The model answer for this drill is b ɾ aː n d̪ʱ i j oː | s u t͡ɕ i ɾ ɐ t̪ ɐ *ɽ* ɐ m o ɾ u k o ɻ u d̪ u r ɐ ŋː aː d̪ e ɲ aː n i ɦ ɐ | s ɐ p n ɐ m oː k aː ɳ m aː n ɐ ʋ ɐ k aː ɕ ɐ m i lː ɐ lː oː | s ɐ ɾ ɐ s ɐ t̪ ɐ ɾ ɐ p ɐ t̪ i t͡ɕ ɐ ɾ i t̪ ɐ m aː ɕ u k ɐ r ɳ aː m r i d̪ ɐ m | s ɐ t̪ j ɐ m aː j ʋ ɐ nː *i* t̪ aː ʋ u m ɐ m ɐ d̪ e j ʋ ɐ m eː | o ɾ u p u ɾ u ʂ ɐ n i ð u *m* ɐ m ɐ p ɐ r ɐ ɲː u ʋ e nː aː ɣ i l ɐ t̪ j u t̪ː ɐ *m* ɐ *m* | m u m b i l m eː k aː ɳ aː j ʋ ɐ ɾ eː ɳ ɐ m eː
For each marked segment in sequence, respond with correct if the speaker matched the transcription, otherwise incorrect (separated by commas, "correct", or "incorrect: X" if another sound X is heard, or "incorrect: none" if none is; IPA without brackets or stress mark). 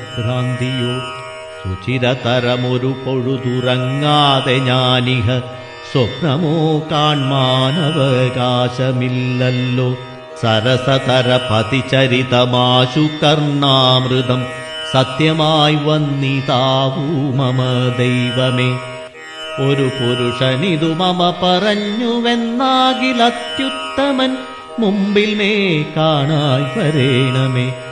incorrect: ɾ, correct, correct, correct, incorrect: n